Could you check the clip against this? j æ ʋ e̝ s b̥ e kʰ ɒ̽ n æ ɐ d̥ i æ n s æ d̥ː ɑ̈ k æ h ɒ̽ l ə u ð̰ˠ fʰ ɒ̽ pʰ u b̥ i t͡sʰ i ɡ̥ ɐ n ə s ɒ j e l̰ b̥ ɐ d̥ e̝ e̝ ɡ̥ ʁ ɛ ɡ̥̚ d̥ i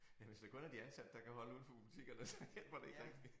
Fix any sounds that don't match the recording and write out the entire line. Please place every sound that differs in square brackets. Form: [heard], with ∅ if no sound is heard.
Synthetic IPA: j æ ʋ e̝ s [d̥] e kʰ [ɔ̽] n æ ɐ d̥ i æ n s æ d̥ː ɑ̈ k æ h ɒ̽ l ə u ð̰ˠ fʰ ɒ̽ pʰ u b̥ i t͡sʰ i ɡ̥ ɐ n ə s ɒ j e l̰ b̥ ɐ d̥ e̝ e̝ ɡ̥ ʁ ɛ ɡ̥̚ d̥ i

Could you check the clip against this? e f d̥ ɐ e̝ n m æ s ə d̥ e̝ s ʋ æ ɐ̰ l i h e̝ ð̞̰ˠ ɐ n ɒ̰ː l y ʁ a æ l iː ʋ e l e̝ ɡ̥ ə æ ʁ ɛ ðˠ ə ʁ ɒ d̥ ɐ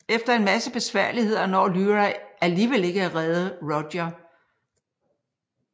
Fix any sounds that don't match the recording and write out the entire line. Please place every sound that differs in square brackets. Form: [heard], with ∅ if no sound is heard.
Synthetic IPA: e f d̥ ɐ e̝ n m æ s ə [b̥] e̝ s ʋ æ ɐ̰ l i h e̝ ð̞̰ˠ ɐ n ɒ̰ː l y ʁ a æ l iː ʋ e l e̝ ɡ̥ ə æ ʁ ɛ ðˠ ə ʁ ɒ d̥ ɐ

